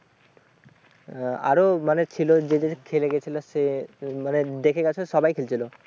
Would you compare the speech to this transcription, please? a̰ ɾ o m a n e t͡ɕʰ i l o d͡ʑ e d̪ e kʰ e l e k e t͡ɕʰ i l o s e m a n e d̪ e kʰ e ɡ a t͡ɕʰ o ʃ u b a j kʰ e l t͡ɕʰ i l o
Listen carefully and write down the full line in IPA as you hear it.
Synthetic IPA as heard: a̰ ɾ o m a n e t͡ɕʰ i l o d͡ʑ e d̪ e kʰ e l e ɡ e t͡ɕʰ i l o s e m a n e d̪ e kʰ e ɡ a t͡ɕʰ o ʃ ɔ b a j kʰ e l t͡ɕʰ i l o